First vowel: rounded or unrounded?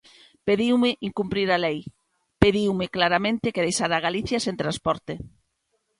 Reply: unrounded